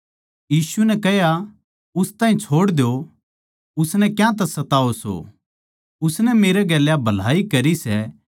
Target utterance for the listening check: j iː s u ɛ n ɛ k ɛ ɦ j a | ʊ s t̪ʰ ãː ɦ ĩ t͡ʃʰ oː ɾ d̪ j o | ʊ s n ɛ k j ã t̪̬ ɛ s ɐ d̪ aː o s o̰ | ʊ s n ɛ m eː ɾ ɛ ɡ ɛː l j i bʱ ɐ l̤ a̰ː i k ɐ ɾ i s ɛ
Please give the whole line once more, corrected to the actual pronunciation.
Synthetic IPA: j iː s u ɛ n ɛ k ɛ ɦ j a | ʊ s t̪ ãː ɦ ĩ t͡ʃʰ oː ɽ d̪ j o | ʊ s n ɛ k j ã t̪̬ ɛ s ɐ t̪ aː o s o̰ | ʊ s n ɛ m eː ɾ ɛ ɡ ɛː l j a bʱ ɐ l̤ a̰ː i k ɐ ɾ i s ɛ